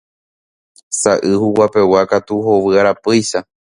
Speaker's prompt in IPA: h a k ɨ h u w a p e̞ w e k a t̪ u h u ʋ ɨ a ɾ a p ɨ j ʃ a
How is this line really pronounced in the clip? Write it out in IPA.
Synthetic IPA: s a ʔ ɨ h u w a p e̞ w a k a t̪ u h o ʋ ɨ a ɾ a p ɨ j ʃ a